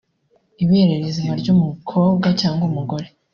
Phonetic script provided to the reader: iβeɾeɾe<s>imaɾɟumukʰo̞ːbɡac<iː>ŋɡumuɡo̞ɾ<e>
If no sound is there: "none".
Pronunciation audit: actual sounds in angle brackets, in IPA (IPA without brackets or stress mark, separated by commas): z, aː, e